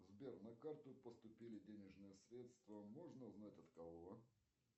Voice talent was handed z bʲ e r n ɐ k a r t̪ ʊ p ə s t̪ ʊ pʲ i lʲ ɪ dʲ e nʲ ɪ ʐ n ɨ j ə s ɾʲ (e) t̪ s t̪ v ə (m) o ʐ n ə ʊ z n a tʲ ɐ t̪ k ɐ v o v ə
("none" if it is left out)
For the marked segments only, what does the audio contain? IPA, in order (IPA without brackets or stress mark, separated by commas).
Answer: e, m